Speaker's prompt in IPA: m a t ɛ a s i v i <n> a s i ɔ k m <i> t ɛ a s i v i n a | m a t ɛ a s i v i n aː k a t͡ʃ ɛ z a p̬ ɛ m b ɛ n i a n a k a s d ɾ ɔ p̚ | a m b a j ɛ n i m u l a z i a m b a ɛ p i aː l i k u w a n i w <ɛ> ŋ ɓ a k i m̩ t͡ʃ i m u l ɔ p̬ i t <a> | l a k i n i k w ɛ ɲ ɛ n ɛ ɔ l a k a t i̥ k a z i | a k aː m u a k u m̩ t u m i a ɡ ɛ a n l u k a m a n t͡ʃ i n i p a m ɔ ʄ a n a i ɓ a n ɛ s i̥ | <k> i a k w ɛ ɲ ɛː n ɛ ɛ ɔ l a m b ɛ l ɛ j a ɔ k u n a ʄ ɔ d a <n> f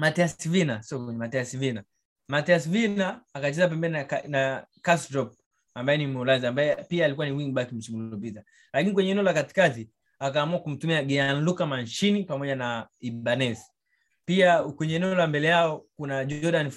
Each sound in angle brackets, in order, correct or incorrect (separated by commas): correct, incorrect, incorrect, correct, incorrect, correct